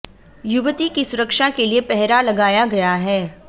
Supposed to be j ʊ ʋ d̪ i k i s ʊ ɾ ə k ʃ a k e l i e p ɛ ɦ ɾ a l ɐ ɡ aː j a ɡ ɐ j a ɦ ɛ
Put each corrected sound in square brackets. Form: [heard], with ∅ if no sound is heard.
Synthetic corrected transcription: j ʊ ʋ [t̪] i k i s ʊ ɾ ə k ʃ a k e l i e p ɛ ɦ ɾ a l ɐ ɡ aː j a ɡ ɐ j a ɦ [ɛː]